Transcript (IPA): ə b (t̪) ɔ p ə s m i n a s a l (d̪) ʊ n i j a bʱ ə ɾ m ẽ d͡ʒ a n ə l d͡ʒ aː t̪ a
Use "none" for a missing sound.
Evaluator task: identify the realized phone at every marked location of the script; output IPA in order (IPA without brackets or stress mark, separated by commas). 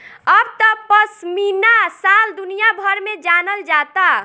t̪, d̪